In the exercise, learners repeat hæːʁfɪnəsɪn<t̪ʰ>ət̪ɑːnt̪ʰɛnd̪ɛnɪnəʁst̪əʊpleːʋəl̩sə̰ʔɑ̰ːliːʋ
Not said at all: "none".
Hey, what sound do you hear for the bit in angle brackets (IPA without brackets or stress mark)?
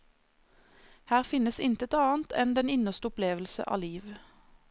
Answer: t̪